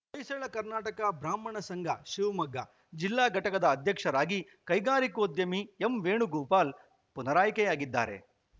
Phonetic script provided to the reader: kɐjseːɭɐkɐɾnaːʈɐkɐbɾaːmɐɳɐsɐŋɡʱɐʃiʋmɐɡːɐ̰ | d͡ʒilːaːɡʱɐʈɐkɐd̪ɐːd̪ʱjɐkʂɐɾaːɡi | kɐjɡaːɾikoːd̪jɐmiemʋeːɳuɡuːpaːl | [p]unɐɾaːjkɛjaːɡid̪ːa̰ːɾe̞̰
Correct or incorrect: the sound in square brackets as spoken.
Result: correct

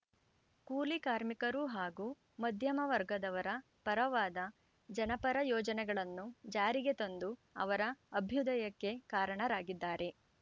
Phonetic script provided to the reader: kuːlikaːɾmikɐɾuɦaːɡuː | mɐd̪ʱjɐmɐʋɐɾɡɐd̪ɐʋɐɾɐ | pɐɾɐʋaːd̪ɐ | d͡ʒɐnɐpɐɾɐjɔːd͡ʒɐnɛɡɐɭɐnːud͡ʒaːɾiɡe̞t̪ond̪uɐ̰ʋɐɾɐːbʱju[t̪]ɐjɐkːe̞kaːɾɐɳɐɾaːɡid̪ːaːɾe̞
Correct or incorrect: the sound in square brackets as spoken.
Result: incorrect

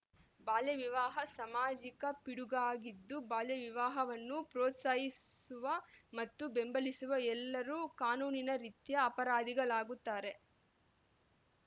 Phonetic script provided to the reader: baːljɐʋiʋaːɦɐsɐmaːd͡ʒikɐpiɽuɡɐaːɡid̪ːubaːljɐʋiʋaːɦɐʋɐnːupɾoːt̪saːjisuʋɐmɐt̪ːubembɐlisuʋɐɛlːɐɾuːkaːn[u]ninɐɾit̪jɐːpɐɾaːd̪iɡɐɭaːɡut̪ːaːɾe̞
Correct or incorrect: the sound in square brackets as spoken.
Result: incorrect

